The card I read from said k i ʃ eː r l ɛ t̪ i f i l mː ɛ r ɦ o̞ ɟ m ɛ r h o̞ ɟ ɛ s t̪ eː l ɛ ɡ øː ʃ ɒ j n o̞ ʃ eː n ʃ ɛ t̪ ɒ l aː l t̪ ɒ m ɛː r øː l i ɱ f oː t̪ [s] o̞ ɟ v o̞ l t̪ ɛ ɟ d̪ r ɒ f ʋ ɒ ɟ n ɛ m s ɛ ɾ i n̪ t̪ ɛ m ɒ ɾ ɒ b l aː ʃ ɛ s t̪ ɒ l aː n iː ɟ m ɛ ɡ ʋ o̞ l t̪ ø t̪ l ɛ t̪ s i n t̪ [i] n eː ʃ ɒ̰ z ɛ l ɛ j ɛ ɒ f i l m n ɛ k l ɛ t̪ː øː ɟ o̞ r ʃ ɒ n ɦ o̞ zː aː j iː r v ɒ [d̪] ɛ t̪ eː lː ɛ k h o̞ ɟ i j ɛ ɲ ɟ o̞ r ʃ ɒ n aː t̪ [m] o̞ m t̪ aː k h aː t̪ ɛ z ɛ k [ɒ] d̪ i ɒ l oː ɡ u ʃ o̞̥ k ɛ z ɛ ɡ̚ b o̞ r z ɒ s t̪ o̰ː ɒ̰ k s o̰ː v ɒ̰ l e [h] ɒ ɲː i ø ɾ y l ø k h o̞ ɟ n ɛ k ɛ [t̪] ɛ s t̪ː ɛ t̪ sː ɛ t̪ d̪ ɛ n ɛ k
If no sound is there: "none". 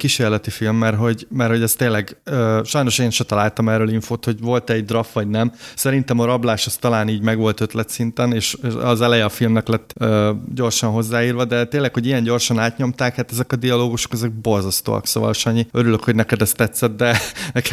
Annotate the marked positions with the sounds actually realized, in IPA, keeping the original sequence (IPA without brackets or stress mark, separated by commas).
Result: h, ɛ, d̪, ɲ, ɒ, ʃ, d̪